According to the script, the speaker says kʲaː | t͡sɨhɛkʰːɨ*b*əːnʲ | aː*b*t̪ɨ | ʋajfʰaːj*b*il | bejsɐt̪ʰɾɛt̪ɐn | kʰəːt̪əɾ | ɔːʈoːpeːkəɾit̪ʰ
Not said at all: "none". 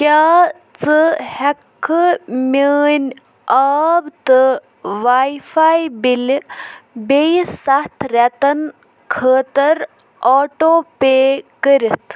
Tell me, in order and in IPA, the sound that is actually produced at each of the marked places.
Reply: m, b, b

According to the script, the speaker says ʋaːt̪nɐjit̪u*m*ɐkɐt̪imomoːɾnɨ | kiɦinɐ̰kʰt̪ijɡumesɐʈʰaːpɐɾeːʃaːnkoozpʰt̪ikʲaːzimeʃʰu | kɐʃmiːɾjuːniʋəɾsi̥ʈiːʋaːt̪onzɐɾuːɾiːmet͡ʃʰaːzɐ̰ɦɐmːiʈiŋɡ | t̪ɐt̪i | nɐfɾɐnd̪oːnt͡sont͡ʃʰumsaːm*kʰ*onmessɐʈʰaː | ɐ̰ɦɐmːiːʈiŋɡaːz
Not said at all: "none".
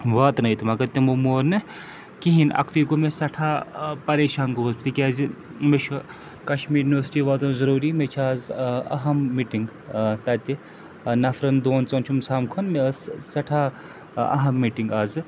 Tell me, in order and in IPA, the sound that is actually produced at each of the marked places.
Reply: m, kʰ

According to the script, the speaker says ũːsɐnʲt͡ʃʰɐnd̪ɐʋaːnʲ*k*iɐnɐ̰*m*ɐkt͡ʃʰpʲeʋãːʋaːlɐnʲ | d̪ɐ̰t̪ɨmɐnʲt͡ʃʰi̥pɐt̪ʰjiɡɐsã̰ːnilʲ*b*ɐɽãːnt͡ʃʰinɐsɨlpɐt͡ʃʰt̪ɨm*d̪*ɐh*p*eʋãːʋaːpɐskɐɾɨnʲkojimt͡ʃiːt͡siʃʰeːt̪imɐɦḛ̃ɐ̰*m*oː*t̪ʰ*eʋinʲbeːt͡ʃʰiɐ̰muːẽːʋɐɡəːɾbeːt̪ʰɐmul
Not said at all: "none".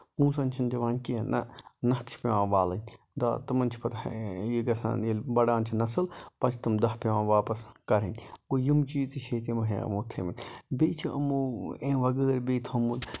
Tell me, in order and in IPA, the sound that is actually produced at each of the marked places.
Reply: k, n, b, d̪, p, m, t̪ʰ

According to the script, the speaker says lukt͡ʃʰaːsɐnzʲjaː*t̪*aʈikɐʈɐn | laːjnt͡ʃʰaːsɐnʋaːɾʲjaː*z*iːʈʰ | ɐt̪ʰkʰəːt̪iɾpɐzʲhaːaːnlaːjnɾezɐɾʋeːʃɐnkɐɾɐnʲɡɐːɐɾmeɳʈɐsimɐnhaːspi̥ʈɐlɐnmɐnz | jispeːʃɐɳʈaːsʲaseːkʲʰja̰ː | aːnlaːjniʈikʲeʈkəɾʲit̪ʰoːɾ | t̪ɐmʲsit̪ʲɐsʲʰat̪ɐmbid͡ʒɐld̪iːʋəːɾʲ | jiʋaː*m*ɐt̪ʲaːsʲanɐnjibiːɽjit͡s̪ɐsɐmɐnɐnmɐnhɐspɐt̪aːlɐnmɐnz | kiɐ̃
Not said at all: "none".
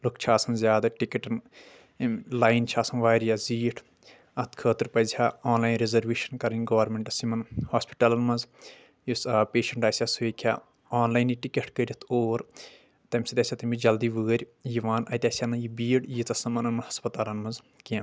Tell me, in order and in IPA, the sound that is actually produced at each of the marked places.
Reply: d̪, z, n

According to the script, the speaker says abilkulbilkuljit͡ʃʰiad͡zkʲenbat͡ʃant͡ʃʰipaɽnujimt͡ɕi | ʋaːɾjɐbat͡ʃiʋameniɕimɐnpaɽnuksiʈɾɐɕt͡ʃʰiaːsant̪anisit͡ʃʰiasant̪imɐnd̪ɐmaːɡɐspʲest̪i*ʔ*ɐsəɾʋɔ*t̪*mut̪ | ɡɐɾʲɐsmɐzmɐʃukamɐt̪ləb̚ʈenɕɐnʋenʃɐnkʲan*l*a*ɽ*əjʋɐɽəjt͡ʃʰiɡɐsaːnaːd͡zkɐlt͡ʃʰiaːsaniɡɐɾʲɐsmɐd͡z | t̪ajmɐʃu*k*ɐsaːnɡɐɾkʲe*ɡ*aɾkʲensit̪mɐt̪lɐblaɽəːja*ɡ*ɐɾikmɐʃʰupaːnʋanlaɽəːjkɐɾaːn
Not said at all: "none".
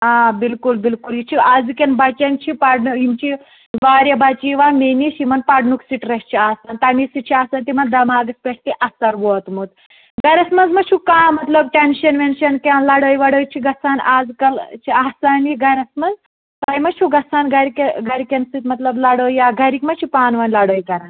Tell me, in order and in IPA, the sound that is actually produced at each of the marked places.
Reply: ʔ, t̪, l, ɽ, ɡ, ɡ, ɡ

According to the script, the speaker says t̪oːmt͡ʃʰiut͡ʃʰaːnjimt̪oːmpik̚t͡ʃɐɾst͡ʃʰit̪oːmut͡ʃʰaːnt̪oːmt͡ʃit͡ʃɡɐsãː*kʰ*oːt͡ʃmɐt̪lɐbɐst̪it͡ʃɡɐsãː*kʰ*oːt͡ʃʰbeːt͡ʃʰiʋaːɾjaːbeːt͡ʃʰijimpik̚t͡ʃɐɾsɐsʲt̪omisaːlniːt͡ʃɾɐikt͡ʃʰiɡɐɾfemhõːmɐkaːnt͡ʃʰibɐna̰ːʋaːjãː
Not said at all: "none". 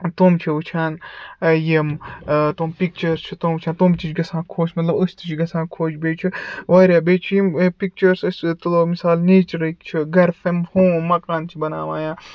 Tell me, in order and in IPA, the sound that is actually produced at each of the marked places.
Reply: kʰ, kʰ

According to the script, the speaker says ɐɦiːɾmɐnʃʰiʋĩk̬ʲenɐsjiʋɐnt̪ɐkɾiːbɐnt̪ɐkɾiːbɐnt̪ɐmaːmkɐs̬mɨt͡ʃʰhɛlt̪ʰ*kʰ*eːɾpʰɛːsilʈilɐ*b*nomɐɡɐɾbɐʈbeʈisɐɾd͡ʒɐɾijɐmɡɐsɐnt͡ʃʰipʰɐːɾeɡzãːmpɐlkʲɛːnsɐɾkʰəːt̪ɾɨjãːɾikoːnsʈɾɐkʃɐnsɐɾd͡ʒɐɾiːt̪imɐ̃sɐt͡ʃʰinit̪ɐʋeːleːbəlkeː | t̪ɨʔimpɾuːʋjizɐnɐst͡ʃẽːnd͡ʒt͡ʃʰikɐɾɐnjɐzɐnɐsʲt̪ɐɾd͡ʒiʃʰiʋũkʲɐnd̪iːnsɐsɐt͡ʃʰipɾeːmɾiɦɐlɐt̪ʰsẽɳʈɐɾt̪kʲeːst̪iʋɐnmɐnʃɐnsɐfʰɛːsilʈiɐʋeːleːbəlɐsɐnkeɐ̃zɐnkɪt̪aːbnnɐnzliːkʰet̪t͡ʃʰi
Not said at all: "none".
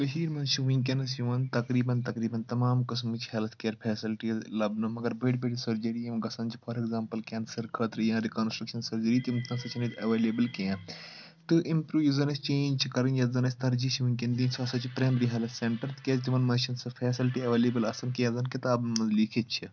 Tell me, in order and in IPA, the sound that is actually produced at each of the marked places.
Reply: k, b

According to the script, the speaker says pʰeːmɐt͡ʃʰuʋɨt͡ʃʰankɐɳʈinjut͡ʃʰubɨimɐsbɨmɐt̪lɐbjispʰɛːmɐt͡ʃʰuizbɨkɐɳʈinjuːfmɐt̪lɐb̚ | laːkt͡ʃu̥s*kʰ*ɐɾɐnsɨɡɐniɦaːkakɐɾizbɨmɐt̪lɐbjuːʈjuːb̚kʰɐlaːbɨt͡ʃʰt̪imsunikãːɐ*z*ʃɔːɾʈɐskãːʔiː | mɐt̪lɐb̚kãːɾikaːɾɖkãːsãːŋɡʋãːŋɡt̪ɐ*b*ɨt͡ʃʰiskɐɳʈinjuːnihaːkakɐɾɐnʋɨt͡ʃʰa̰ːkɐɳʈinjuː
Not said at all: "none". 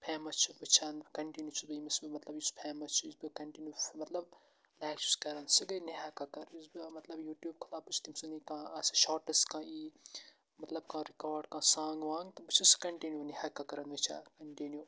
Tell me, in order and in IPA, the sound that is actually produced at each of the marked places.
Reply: k, s, b

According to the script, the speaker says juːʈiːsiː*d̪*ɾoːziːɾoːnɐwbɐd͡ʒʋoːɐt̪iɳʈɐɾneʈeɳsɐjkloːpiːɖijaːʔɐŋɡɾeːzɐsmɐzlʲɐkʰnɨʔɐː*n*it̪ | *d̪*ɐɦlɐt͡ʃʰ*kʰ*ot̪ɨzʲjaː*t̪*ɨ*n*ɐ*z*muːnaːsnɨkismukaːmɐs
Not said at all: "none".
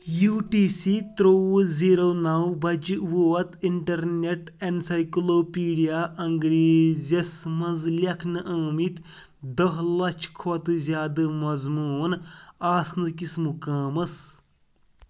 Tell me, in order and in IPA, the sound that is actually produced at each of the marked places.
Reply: t̪, m, d̪, kʰ, d̪, m, z

